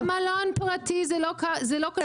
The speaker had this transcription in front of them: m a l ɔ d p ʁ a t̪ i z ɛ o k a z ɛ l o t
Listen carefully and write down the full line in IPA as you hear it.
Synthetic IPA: m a l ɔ n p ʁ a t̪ i z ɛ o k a z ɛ l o k